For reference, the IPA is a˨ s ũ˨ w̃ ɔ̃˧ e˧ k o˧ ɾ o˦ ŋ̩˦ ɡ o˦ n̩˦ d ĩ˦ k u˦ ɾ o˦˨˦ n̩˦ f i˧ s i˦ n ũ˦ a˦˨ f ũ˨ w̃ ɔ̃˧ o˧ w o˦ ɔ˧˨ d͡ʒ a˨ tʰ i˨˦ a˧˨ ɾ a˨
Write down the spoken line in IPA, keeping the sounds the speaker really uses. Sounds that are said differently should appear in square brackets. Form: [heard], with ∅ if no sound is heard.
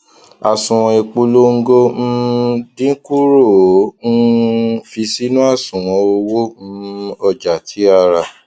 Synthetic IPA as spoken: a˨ s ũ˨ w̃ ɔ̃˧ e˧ [k͡p] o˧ [l] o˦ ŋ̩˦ ɡ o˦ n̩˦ d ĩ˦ k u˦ ɾ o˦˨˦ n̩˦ f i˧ s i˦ n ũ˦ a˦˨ [s] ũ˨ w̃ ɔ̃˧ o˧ w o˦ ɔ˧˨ d͡ʒ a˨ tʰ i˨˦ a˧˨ ɾ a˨